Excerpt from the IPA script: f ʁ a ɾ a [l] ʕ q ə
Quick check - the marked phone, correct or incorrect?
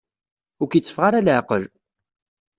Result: correct